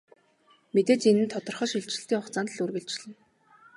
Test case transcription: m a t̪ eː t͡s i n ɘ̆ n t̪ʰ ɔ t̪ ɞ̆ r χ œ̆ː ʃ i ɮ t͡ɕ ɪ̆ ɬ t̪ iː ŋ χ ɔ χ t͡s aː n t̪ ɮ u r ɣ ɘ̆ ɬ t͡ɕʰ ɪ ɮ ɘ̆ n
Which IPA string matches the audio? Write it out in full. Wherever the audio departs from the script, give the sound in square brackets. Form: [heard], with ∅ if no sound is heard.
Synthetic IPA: m [e] t̪ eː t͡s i n ɘ̆ n t̪ʰ ɔ t̪ ɞ̆ r χ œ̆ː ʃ i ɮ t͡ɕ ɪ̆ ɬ t̪ iː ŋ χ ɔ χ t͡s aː n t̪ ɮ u r ɣ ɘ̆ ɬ [t͡ɕ] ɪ ɮ ɘ̆ n